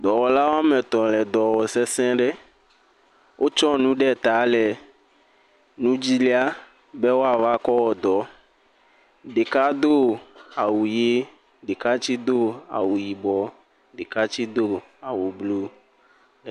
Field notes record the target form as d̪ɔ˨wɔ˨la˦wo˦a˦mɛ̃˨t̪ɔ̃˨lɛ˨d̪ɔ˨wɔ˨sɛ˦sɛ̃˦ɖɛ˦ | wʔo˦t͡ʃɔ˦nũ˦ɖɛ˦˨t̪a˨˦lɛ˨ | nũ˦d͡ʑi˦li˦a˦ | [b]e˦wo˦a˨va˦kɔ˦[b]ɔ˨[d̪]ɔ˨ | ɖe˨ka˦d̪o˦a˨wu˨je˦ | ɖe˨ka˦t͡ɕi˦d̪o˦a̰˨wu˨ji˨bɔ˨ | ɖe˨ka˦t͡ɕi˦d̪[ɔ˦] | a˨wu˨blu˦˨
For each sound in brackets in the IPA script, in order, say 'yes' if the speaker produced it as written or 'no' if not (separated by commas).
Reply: yes, no, yes, no